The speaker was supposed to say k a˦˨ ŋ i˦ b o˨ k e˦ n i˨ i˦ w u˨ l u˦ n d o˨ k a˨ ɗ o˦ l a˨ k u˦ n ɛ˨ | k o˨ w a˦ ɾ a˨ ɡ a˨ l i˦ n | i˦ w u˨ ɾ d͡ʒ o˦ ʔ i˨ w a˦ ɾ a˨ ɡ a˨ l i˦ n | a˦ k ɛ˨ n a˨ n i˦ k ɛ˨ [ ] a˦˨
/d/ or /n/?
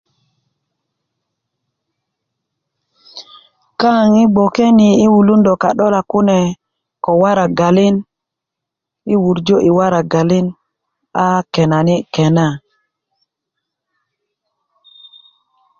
n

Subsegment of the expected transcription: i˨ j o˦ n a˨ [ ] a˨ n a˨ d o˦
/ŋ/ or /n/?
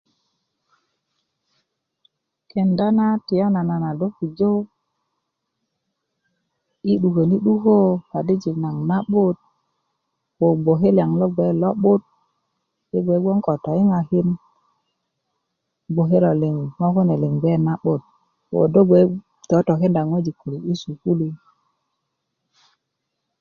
n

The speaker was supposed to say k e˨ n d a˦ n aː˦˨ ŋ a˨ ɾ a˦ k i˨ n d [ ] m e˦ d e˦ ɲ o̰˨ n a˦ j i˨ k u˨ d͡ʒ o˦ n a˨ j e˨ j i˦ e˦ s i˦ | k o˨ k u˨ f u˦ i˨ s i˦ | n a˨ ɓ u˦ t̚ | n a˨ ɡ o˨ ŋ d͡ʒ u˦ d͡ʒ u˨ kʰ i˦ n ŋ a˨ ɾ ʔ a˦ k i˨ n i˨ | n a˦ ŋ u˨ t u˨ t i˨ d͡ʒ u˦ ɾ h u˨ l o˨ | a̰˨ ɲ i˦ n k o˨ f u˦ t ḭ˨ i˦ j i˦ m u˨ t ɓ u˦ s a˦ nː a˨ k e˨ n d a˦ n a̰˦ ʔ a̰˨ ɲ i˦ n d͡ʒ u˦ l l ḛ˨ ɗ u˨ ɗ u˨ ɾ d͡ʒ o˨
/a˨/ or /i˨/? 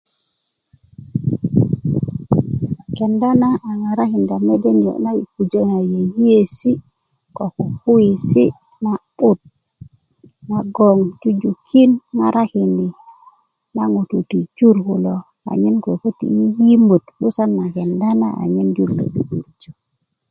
a˨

